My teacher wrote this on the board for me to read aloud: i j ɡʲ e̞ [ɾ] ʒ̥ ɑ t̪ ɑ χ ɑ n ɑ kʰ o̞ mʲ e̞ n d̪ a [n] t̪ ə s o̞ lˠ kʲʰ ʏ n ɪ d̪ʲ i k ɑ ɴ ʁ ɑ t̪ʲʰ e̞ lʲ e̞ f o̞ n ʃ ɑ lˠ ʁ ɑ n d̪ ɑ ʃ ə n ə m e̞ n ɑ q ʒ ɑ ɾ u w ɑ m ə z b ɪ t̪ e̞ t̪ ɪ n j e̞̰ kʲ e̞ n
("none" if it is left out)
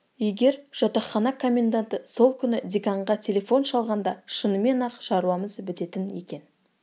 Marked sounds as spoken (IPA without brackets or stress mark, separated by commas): ɾ, n